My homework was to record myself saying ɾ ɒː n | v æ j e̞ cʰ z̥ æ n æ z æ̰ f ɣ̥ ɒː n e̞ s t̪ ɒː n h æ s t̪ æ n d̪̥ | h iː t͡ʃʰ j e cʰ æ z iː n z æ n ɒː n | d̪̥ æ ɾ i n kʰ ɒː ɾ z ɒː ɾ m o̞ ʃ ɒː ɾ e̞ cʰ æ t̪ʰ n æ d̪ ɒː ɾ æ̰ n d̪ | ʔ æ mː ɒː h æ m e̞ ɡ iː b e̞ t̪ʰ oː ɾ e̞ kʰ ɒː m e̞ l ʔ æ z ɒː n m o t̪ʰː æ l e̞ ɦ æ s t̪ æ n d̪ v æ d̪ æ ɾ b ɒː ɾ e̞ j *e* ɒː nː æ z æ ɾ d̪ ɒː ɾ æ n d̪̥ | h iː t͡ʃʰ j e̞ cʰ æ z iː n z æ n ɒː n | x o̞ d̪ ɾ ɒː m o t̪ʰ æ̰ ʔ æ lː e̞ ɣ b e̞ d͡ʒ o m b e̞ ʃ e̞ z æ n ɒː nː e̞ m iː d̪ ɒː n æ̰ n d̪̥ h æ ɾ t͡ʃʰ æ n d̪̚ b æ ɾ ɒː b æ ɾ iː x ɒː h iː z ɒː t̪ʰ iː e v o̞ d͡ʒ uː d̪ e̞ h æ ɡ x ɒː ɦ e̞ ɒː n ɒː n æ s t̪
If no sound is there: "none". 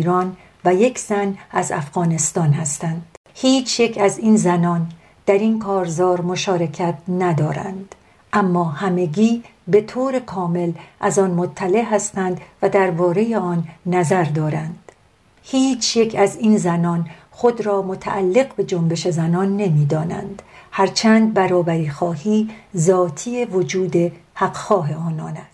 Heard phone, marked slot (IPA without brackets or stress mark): e